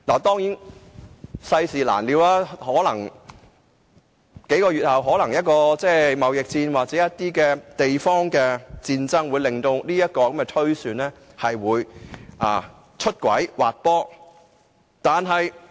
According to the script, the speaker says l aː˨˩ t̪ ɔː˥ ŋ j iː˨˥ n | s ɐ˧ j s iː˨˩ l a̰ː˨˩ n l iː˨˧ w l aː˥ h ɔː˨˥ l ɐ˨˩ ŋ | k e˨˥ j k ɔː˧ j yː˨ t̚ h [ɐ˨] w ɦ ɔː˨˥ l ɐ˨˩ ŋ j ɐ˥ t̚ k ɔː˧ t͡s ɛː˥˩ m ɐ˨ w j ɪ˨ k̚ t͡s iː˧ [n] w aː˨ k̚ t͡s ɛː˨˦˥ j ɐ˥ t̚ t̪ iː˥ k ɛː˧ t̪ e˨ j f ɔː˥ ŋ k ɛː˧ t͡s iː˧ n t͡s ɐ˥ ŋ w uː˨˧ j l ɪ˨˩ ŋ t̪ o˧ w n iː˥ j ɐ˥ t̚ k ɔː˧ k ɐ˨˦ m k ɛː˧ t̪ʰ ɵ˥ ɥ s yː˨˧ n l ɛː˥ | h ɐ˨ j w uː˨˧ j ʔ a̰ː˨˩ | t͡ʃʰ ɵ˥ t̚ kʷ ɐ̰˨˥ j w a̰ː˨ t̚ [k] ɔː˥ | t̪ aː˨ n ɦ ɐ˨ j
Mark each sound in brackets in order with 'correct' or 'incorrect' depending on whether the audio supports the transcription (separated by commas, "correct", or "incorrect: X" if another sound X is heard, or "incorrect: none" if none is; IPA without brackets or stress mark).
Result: correct, correct, incorrect: p